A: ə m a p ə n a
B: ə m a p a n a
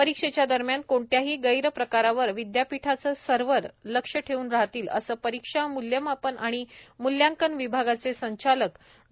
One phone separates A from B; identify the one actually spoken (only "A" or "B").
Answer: A